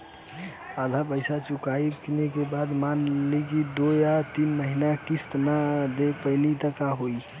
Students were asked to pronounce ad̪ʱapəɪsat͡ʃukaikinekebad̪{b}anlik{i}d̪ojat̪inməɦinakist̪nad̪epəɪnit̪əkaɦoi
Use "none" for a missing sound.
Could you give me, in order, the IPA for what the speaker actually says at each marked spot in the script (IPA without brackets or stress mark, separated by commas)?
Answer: m, i